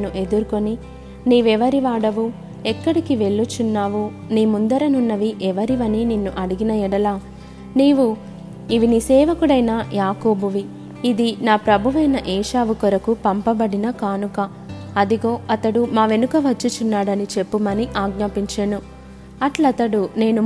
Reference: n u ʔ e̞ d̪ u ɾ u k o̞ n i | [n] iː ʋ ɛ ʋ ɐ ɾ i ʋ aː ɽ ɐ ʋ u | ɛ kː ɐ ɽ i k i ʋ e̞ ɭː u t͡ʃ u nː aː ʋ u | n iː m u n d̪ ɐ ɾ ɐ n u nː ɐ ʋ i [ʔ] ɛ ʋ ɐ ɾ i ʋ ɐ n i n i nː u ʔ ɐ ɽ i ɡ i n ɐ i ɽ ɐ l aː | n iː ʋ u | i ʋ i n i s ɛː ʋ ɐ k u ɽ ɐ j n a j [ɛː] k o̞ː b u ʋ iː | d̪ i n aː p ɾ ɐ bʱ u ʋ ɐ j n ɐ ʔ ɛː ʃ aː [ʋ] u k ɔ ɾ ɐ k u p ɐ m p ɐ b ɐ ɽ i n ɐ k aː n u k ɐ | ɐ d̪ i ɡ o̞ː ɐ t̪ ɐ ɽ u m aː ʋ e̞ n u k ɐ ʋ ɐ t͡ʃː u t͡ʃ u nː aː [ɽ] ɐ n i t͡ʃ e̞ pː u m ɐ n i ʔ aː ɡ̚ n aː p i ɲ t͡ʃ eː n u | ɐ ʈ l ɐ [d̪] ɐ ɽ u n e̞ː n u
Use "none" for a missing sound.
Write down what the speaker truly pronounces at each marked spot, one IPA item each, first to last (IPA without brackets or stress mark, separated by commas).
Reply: n, ʔ, aː, ʋ, ɽ, t̪